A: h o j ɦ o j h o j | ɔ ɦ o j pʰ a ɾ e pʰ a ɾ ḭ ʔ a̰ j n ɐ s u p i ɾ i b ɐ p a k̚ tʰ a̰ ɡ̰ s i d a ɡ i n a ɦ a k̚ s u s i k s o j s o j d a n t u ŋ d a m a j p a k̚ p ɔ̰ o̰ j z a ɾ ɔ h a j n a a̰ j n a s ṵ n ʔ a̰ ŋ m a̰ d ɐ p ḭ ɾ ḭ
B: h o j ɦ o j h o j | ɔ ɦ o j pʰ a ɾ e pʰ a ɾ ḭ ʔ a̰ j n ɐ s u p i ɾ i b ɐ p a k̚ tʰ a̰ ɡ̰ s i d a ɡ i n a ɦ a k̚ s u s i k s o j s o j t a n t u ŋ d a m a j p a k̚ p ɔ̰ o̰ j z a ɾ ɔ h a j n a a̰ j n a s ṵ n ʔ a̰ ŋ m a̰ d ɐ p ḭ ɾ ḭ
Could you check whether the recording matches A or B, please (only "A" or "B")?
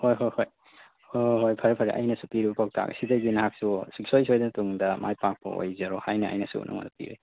A